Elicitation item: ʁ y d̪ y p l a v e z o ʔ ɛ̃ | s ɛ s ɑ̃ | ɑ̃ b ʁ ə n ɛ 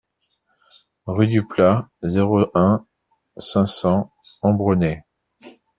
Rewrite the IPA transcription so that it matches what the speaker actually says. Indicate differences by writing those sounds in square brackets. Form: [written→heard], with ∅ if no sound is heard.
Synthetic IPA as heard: ʁ y d̪ y p l a [v→z] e [z→ʁ] o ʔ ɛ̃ | s [ɛ→ɛ̃] s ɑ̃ | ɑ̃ b ʁ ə n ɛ